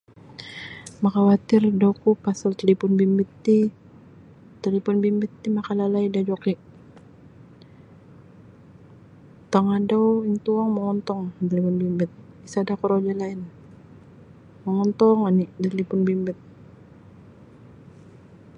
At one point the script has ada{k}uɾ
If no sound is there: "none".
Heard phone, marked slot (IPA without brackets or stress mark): k